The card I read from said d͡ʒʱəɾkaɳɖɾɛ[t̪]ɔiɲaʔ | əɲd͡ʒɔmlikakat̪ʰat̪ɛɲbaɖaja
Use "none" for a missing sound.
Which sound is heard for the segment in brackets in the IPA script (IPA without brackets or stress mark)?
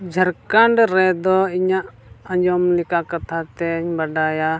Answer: d̪